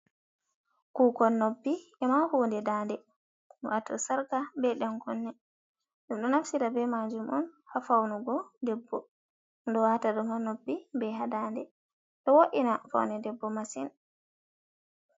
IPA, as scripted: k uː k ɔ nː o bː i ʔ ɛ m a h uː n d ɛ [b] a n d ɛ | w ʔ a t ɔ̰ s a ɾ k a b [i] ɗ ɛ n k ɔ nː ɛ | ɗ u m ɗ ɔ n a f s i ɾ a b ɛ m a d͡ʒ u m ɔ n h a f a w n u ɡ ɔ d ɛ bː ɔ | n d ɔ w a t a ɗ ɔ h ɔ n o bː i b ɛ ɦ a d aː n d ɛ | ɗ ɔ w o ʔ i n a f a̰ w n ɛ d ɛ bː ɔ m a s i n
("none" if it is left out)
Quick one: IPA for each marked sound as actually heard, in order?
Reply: d, ɛ

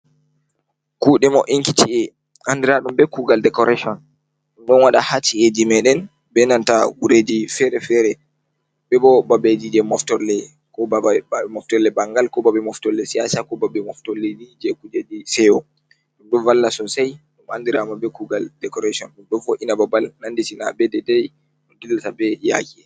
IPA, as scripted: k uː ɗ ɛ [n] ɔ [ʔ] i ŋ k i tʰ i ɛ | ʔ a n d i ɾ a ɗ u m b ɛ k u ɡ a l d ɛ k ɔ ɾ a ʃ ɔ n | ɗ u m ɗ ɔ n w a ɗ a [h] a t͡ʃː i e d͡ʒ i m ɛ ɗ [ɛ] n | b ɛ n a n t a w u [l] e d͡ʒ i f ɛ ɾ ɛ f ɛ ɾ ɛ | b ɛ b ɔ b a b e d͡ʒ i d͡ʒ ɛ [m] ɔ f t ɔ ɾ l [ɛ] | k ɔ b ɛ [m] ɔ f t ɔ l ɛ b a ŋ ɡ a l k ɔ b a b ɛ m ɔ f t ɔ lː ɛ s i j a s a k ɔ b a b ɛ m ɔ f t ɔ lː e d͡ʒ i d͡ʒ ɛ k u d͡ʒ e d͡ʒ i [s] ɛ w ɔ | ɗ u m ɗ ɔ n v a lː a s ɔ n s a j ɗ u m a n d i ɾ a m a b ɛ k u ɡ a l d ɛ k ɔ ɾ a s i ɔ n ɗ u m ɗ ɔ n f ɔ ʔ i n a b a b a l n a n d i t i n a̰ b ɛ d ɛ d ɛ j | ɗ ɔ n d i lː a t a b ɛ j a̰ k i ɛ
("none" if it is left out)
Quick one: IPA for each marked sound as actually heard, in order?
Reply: m, ʔ, h, ɛ, ɾ, m, ɛ, m, s

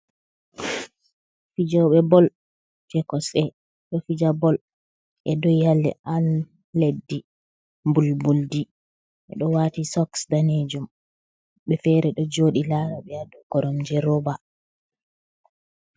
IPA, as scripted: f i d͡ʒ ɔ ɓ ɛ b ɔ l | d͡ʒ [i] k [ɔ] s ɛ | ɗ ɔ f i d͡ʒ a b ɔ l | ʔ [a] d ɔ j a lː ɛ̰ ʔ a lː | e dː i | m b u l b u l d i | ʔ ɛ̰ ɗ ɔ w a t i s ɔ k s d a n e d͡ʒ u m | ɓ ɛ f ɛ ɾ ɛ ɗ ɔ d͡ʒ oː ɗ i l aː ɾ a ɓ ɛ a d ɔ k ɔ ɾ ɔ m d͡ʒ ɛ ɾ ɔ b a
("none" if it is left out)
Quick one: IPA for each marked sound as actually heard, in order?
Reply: ɛ, ɔ, ɛ

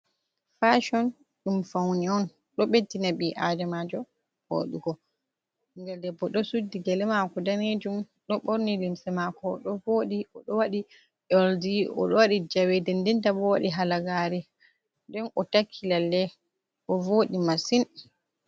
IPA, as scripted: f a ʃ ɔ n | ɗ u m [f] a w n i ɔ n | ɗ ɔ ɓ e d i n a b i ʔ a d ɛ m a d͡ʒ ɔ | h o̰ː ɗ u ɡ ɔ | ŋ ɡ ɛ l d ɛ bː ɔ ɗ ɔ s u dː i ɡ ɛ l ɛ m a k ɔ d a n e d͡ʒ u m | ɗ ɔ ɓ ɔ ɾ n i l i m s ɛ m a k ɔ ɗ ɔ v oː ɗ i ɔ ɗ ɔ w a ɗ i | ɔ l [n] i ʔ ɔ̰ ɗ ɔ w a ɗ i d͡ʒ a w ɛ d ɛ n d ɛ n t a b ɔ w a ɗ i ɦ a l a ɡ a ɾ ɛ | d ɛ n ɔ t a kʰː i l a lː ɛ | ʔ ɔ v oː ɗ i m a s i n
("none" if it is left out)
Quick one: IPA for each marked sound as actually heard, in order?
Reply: f, d

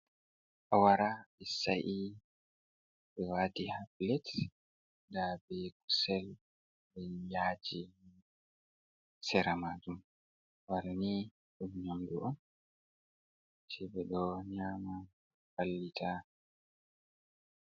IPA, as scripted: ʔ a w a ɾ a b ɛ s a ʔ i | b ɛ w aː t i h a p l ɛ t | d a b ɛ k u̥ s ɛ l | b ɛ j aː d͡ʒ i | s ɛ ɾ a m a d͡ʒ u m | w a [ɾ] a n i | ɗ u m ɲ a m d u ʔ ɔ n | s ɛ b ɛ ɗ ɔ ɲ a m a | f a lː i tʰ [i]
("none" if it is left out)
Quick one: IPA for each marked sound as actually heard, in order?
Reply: ɾ, a

